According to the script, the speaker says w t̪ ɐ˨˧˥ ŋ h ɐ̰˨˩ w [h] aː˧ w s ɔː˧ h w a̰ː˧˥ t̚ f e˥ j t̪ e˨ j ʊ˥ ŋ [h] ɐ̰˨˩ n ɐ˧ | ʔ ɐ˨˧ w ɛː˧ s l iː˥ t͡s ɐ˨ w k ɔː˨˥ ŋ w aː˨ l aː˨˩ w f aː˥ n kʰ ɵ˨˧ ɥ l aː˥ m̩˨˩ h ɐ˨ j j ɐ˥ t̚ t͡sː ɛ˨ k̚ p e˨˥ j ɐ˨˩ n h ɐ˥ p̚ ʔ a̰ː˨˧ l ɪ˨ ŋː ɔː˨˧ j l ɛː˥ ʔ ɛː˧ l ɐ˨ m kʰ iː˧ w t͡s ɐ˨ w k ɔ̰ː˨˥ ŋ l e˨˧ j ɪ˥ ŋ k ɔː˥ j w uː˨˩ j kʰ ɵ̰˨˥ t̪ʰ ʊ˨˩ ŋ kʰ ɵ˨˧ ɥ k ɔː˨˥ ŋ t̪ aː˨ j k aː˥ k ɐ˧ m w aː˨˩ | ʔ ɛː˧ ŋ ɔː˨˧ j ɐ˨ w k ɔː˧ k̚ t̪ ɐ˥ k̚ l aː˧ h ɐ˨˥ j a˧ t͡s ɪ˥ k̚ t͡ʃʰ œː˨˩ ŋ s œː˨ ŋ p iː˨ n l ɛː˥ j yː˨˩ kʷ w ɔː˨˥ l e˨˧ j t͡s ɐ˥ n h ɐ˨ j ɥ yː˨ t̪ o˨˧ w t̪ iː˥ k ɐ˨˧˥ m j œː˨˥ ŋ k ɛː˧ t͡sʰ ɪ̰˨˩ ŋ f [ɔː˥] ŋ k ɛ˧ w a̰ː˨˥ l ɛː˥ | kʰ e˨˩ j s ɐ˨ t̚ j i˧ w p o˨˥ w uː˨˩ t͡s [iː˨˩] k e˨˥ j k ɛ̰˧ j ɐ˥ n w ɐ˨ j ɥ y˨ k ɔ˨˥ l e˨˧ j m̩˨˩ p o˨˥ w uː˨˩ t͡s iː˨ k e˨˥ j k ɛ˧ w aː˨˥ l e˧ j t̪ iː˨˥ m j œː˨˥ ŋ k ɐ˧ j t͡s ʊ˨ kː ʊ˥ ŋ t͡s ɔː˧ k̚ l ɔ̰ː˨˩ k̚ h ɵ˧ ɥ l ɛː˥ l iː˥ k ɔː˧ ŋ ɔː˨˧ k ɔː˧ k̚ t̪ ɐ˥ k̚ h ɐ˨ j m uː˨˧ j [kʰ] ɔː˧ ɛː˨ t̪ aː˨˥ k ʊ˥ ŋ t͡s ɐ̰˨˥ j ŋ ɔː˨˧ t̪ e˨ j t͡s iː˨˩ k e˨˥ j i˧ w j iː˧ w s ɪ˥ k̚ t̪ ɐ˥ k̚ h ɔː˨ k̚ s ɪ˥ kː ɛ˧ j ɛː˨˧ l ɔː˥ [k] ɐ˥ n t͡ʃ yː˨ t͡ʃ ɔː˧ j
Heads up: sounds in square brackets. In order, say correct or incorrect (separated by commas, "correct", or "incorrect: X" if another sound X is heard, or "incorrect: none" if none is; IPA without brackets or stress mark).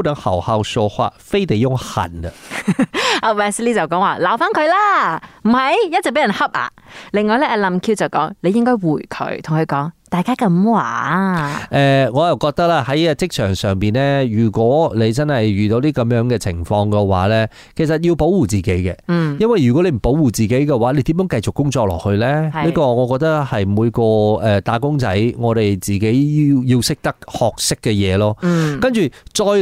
correct, correct, incorrect: ɔː˧, correct, incorrect: k, correct